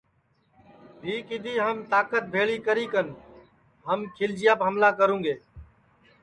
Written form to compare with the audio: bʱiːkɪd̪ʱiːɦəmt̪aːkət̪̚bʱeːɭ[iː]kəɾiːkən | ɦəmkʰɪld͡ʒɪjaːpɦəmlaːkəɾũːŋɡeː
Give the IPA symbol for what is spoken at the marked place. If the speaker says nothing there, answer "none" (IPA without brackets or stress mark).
iː